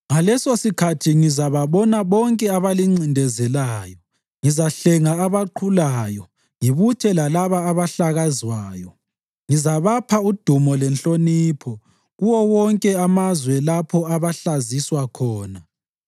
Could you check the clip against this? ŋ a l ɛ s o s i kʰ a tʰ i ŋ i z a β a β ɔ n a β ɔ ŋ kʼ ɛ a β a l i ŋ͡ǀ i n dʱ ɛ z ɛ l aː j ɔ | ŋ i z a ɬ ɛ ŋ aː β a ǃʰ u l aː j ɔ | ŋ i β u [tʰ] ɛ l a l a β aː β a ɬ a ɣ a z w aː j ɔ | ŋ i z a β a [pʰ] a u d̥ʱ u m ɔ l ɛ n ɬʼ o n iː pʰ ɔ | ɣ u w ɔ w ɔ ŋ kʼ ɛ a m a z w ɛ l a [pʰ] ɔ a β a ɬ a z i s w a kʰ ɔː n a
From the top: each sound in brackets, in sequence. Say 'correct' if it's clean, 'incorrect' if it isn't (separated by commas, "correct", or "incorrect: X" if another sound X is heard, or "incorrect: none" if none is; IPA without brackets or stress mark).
correct, correct, correct